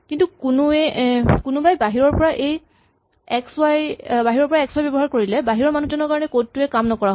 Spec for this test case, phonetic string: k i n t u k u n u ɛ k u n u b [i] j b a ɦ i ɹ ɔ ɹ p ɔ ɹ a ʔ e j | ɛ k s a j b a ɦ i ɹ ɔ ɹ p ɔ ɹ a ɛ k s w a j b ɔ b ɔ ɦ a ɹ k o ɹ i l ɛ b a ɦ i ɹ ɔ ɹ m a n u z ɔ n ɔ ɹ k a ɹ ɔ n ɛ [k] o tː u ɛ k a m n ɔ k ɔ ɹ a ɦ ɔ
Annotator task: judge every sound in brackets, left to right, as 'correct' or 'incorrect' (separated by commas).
incorrect, correct